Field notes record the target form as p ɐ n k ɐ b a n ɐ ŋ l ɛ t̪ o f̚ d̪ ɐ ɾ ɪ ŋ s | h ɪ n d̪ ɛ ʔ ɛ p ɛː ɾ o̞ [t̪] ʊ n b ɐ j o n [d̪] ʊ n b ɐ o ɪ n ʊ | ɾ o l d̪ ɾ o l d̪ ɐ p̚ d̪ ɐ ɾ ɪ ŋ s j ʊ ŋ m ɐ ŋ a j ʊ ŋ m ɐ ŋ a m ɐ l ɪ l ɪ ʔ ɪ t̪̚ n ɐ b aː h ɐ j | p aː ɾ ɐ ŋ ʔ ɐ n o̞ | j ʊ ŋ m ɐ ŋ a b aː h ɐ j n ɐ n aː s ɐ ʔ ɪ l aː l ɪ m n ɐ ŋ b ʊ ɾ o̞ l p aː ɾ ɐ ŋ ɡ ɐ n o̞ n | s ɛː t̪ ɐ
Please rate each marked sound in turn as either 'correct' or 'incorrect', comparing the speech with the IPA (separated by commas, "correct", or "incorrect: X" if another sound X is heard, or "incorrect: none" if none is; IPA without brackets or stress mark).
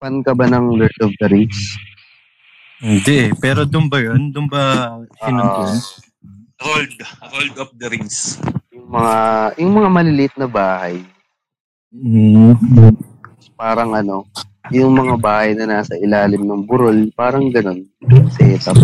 incorrect: d̪, correct